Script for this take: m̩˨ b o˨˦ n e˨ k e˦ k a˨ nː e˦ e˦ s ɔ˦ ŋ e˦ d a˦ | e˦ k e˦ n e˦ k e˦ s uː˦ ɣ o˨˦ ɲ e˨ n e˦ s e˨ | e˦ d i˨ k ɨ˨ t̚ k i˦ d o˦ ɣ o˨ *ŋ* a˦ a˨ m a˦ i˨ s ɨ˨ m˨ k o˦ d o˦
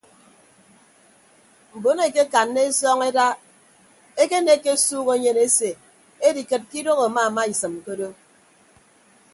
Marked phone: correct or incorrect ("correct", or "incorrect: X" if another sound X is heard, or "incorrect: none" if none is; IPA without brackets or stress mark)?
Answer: incorrect: m